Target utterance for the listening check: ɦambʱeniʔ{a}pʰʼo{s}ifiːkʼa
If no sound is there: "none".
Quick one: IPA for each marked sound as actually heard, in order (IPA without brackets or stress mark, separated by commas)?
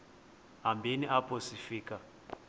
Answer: a, s